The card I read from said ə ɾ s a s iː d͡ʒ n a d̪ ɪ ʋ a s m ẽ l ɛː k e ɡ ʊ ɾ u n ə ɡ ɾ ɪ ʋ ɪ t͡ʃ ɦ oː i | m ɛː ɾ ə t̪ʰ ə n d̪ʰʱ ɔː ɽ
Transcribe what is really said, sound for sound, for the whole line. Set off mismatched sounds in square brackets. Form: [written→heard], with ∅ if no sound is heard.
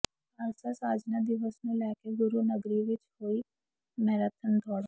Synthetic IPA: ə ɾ s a s [iː→aː] d͡ʒ n a d̪ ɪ ʋ [a→ə] s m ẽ l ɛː k e ɡ ʊ ɾ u n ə ɡ ɾ [ɪ→i] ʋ ɪ t͡ʃ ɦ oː i | m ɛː ɾ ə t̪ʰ ə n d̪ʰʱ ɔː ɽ